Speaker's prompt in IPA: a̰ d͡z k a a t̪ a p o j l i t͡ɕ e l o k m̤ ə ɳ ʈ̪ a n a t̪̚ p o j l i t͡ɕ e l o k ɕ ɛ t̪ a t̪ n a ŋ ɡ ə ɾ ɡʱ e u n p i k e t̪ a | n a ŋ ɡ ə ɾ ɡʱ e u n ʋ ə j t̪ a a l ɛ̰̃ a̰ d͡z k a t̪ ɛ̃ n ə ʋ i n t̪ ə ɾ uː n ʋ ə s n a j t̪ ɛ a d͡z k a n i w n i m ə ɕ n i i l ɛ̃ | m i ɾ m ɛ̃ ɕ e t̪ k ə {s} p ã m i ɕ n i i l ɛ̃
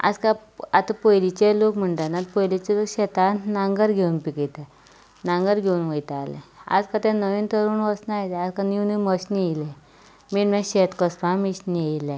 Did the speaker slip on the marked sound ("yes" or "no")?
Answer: no